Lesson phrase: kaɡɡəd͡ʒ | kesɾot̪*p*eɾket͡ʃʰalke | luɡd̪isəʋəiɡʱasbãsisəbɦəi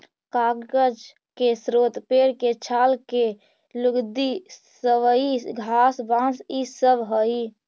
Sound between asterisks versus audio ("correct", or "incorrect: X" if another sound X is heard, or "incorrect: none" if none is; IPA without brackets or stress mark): correct